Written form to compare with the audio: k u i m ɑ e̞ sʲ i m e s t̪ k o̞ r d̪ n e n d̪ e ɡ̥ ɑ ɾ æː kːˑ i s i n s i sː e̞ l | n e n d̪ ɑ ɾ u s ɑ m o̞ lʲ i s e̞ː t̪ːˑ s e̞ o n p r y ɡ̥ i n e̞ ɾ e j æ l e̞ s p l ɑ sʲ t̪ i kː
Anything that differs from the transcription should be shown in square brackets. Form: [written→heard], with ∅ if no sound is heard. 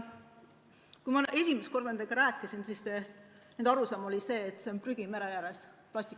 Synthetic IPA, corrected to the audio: k u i m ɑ e̞ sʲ i m e s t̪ k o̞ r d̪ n e n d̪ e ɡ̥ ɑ ɾ æː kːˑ i s i n s i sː e̞ [l→∅] | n e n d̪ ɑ ɾ u s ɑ m o̞ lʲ i s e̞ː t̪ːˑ s e̞ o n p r y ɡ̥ i [n→m] e̞ ɾ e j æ [l→ɾ] e̞ s p l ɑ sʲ t̪ i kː